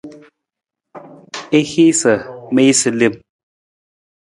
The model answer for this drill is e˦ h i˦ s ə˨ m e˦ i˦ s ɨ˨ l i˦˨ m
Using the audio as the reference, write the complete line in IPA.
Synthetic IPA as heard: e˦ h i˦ s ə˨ m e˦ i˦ s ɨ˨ l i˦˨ m